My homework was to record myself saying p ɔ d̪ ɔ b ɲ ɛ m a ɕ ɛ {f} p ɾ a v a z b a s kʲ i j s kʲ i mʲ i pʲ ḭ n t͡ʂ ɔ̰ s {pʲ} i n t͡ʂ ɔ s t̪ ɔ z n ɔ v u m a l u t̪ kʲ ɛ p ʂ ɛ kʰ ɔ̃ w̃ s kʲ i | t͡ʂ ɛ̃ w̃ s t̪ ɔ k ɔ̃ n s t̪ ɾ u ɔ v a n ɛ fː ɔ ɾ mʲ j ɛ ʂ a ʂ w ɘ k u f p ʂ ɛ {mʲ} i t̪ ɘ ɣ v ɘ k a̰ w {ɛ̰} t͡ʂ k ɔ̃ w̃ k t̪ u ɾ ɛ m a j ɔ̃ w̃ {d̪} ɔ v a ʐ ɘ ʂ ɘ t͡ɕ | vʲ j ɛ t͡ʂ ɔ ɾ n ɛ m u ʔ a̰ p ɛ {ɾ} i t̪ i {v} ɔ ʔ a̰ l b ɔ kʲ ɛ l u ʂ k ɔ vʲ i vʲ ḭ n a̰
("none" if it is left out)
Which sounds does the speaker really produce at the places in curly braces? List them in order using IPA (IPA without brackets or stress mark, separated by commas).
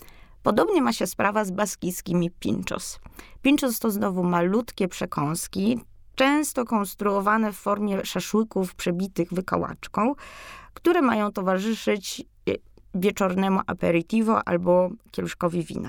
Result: s, pʲ, bʲ, a̰, t̪, ɾ, v